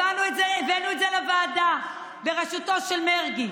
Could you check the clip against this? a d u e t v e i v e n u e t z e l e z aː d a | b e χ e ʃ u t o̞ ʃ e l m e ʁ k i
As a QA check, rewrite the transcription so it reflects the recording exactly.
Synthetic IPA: a n u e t z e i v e n u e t z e l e v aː d a | b e ʁ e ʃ u t o̞ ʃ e l m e ʁ ɡ i